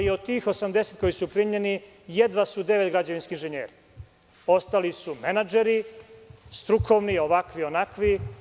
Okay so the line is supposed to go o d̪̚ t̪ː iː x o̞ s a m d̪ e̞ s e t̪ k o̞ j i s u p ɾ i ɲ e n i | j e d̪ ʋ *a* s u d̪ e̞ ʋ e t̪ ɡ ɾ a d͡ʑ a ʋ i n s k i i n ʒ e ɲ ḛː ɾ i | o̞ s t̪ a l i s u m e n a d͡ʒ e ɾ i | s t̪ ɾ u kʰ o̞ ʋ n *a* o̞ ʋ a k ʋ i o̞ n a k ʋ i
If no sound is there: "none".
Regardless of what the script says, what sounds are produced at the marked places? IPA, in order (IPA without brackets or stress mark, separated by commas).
a, i